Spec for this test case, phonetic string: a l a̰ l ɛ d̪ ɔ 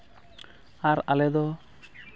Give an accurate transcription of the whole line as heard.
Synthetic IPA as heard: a ɾ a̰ l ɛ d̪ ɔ